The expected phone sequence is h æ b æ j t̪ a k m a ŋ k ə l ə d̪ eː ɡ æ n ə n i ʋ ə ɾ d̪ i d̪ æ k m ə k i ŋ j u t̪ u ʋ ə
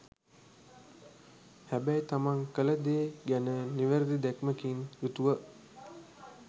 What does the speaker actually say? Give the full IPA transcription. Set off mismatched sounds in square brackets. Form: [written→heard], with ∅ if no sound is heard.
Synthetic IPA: h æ b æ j t̪ a [k→∅] m a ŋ k ə l ə d̪ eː ɡ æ n ə n i ʋ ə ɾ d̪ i d̪ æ k m ə k i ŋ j u t̪ u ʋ ə